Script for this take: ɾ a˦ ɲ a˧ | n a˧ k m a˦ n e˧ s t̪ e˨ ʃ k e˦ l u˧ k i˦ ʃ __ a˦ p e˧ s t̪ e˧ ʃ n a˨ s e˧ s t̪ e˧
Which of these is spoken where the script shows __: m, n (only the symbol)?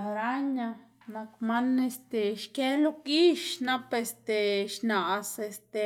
n